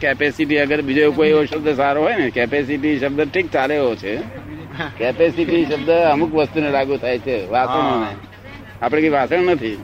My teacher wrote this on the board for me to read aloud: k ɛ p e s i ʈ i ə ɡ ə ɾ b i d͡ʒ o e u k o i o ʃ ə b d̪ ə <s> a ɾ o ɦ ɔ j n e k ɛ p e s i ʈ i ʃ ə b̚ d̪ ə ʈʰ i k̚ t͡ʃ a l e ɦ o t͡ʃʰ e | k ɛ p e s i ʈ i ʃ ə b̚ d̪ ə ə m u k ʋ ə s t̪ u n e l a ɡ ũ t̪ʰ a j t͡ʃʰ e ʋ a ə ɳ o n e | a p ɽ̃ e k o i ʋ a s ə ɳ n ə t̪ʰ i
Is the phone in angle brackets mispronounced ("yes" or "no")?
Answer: no